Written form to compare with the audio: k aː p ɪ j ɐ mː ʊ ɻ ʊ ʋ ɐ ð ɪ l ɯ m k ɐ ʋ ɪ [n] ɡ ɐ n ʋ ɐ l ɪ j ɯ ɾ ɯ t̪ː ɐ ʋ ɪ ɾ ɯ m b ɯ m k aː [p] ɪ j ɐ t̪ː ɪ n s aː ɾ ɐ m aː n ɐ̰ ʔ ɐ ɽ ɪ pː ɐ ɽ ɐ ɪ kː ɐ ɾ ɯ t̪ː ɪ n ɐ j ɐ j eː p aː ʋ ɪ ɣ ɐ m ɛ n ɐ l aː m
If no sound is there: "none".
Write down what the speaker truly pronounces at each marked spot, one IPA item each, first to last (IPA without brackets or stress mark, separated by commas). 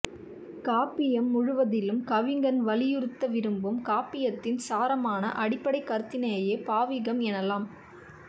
ŋ, p